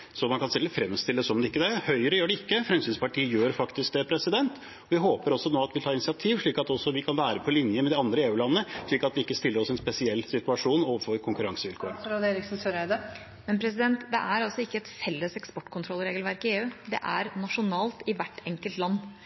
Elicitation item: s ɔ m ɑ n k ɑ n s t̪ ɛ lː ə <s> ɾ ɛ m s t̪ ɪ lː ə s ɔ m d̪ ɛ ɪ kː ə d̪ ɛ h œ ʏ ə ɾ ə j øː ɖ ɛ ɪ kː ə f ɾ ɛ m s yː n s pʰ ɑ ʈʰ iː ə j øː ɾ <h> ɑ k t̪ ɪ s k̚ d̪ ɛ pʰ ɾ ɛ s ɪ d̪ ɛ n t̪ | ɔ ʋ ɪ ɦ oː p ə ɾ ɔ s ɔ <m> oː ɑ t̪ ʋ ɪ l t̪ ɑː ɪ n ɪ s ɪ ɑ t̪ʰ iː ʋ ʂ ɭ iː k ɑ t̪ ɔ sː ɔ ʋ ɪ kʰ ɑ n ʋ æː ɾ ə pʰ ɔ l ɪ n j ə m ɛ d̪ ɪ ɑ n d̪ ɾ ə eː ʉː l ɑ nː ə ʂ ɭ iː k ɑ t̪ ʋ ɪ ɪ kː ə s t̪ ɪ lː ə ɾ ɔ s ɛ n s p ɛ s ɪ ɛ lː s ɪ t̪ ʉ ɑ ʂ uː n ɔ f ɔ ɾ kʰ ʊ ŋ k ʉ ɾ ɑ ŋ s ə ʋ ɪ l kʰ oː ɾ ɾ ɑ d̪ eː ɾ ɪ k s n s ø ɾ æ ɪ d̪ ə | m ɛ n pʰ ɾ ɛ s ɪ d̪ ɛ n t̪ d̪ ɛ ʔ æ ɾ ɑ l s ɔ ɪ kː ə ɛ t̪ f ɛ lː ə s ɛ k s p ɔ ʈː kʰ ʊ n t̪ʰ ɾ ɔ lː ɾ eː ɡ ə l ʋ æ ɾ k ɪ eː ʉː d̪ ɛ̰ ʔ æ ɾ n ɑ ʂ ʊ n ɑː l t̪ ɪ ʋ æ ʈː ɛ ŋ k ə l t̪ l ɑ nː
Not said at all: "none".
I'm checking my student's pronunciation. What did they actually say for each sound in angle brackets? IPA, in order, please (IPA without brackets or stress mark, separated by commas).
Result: f, f, n